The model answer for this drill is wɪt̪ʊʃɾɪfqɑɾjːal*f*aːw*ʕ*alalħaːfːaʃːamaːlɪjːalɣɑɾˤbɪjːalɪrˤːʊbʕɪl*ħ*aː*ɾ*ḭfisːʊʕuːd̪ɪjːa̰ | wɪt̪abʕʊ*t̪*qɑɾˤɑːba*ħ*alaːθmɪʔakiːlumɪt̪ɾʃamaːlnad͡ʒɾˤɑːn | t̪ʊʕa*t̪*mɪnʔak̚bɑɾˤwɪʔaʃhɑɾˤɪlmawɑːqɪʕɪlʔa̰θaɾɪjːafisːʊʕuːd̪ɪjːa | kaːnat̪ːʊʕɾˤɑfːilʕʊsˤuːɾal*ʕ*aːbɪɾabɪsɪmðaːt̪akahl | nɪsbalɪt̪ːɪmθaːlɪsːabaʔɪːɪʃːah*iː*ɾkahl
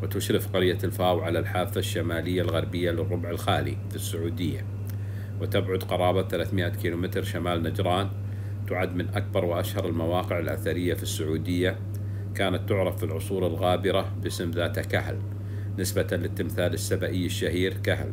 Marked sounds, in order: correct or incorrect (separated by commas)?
correct, correct, incorrect, incorrect, incorrect, incorrect, incorrect, incorrect, correct